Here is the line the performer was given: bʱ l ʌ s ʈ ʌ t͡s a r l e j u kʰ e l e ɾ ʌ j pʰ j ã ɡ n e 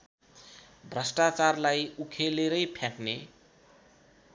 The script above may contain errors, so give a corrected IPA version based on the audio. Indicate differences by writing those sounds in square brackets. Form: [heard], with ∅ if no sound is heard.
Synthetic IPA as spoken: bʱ [r] ʌ s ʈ [a] t͡s a r l [a] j u kʰ e l e ɾ ʌ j pʰ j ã [k] n e